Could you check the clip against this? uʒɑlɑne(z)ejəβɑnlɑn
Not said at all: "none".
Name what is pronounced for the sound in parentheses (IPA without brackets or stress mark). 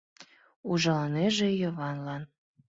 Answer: ʒ